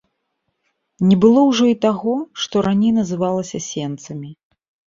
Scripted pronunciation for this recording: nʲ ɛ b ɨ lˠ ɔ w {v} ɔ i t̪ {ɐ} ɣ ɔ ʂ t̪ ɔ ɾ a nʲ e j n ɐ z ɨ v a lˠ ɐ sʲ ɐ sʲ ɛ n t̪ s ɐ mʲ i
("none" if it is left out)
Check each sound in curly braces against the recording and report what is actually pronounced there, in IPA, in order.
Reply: ʐ, a

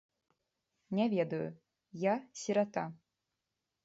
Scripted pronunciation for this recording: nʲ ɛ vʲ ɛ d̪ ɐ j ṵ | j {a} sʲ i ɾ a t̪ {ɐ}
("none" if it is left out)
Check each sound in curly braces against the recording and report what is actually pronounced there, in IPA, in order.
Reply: a, a

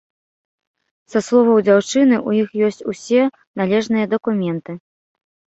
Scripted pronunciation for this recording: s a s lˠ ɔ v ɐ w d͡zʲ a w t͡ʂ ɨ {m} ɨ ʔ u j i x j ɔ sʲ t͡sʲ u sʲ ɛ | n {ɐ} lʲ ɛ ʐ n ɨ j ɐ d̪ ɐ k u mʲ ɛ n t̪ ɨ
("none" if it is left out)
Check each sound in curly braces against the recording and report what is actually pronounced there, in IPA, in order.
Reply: n, a

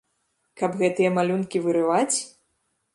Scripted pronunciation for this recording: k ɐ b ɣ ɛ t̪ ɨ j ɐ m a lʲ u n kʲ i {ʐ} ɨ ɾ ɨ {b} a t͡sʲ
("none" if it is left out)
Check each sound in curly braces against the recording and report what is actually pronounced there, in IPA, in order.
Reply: v, v

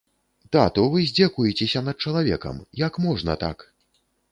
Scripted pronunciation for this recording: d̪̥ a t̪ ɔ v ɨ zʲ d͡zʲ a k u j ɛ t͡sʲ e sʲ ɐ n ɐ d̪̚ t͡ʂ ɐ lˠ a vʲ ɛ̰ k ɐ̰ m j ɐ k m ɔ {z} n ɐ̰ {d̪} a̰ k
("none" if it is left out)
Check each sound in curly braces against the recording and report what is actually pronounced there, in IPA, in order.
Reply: ʐ, t̪

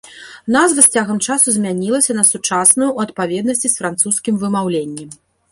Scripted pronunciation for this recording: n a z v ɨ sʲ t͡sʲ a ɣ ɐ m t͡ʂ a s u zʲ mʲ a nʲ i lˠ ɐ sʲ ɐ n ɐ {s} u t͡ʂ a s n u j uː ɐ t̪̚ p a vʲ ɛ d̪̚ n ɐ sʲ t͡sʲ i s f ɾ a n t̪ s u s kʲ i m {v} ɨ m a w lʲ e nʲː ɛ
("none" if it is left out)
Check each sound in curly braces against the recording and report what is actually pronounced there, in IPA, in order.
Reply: s, v

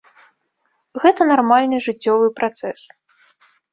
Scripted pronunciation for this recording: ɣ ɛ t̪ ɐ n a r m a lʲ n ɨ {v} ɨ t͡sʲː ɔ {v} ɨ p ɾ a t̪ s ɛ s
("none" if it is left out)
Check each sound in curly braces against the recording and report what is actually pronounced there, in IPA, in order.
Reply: ʐ, v

